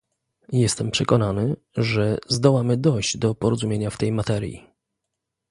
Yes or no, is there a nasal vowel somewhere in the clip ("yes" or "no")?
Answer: no